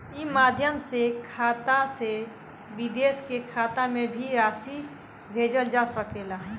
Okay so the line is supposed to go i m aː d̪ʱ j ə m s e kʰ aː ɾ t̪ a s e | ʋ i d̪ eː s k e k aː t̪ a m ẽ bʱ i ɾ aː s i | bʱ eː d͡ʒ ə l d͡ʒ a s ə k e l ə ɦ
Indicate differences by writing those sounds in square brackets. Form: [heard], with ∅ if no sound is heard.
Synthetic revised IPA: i m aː d̪ʱ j ə m s e kʰ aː [∅] t̪ a s e | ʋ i d̪ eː s k e [kʰ] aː t̪ a m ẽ bʱ i ɾ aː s i | bʱ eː d͡ʒ ə l d͡ʒ a s ə k e l [a] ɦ